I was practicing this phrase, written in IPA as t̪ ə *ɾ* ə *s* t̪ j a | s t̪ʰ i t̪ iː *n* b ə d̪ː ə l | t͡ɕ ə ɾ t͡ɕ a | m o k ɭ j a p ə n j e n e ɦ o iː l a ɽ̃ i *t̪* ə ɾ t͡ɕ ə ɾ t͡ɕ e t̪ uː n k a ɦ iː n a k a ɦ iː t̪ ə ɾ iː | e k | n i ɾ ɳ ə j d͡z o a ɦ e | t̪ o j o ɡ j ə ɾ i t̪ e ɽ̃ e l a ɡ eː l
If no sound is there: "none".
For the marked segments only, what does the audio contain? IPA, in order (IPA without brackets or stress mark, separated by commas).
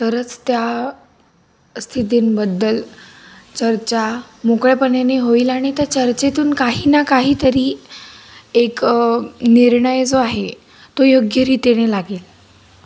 ɾ, t͡s, n, t̪